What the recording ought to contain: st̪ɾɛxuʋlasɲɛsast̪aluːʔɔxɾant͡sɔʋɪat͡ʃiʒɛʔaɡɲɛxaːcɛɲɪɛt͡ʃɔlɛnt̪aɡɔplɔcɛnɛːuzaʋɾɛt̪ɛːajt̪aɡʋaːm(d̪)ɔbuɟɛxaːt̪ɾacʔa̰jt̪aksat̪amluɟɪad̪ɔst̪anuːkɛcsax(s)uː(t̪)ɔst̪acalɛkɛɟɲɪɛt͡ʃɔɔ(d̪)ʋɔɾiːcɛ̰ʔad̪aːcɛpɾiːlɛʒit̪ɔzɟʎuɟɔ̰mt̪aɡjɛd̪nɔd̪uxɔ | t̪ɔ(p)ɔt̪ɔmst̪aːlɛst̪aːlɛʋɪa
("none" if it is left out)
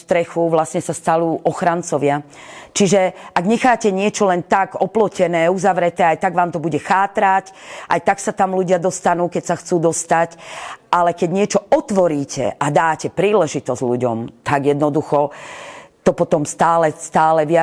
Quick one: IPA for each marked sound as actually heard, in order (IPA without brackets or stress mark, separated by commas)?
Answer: t̪, t͡s, d̪, t̪, p